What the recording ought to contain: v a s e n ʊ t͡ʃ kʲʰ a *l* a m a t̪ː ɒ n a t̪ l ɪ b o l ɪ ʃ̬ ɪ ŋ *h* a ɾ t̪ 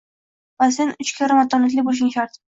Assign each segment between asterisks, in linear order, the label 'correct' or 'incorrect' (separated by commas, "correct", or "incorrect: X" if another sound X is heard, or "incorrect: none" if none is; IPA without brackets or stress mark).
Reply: incorrect: ɾ, incorrect: ʃ